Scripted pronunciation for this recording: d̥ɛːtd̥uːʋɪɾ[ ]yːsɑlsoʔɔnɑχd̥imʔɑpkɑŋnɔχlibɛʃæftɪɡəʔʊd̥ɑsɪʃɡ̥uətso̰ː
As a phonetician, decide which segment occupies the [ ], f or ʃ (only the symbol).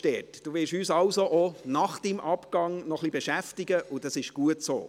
ʃ